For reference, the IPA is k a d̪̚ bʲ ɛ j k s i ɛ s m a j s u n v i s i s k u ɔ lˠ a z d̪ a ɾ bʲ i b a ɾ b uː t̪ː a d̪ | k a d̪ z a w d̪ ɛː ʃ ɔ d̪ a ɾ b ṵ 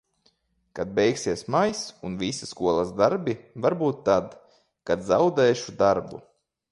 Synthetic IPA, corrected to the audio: k a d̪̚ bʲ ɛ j k s i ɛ s m a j s u n v i s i s k u ɔ lˠ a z d̪ a ɾ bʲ i v a ɾ b uː t̪ː a d̪ | k a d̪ z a w d̪ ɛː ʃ u d̪ a ɾ b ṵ